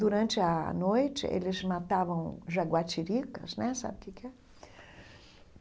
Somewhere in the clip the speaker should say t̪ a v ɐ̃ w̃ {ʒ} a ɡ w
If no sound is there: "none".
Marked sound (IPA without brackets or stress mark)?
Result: ʒ